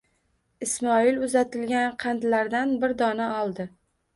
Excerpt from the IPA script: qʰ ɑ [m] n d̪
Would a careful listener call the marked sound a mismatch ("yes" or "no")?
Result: yes